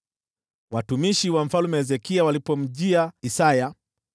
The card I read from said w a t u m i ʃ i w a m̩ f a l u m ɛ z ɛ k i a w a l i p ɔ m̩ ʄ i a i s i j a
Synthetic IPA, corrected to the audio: w a t u m i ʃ i w a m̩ f a l u m ɛ z ɛ k i a w a l i p ɔ m̩ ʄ i a i s a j a